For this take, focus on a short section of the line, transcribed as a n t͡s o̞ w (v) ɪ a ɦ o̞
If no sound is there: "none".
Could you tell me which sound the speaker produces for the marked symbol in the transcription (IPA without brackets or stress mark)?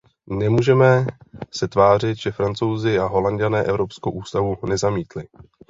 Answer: z